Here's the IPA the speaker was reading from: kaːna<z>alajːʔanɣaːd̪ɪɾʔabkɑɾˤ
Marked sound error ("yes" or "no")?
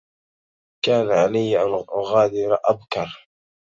yes